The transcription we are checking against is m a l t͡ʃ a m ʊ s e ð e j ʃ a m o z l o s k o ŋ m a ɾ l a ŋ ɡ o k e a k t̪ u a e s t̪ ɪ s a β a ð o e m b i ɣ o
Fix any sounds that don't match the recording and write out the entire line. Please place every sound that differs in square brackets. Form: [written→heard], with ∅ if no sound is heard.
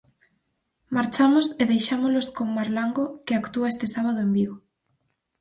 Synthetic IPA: m a [l→ɾ] t͡ʃ a m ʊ s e ð e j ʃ a m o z l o s k o ŋ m a ɾ l a ŋ ɡ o k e a k t̪ u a e s t̪ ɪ s a β a ð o e m b i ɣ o